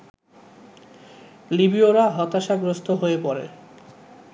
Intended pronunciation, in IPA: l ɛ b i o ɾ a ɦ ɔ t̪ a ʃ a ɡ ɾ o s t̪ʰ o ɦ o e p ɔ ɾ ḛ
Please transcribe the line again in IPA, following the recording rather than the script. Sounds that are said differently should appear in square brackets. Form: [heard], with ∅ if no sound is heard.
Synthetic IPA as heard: l [i] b i o ɾ a ɦ ɔ t̪ a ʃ a ɡ ɾ o s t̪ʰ o ɦ o e p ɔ ɾ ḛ